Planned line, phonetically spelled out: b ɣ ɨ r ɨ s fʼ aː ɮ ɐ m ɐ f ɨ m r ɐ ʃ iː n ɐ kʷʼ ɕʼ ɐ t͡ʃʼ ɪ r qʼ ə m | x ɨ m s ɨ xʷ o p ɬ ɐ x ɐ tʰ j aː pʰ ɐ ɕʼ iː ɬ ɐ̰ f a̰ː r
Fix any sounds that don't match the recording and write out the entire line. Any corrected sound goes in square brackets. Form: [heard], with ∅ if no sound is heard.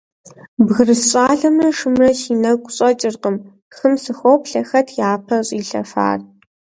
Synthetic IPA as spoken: b ɣ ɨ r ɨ s [ɕʼ] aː ɮ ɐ m ɐ [ʂ] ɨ m r ɐ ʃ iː n ɐ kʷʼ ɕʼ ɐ t͡ʃʼ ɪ r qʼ ə m | x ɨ m s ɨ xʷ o p ɬ ɐ x ɐ tʰ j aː pʰ ɐ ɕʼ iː ɬ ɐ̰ f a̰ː r